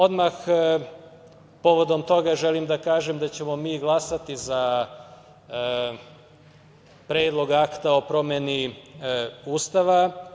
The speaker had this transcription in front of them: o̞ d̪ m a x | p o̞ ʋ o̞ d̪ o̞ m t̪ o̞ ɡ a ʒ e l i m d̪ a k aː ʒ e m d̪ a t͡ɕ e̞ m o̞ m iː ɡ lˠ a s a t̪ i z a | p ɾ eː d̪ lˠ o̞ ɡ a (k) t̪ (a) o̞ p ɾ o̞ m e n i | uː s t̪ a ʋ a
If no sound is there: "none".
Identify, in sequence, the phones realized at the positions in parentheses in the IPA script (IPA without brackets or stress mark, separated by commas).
k, a